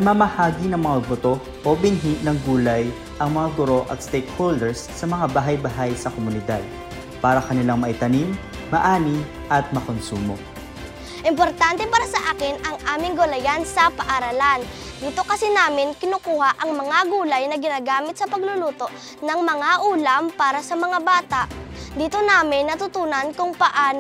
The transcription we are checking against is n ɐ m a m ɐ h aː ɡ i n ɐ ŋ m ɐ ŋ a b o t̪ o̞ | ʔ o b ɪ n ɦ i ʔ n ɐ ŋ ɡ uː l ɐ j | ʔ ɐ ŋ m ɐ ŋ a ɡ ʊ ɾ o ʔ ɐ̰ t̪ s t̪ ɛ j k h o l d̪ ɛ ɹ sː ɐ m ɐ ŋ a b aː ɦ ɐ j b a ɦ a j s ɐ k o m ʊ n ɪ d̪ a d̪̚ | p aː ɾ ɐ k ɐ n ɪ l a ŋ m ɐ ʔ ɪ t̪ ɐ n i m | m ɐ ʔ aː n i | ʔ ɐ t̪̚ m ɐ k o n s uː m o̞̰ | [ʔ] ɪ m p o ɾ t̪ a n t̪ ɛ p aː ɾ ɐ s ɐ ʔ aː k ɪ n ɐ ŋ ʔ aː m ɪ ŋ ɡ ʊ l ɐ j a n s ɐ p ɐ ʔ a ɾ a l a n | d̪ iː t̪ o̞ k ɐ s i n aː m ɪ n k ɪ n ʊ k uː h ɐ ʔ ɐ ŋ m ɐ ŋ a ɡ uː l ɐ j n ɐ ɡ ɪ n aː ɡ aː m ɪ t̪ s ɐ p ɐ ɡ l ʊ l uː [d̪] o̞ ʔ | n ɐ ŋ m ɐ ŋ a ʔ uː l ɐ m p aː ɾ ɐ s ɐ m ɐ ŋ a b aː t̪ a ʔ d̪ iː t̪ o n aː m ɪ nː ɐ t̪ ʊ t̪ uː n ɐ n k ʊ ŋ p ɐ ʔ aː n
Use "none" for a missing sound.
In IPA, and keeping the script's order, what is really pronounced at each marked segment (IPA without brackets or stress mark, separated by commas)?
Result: ʔ, t̪